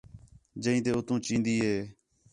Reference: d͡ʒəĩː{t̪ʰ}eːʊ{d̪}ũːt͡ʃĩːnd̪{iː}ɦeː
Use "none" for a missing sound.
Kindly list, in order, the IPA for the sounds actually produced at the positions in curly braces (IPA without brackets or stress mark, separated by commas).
t̪, t̪, iː